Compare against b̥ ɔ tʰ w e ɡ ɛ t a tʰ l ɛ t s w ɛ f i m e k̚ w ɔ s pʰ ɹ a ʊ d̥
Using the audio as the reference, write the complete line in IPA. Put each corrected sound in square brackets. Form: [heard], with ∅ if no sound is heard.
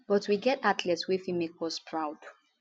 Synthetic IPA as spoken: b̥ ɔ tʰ w [i] ɡ ɛ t a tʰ l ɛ t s w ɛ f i m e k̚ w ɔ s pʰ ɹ a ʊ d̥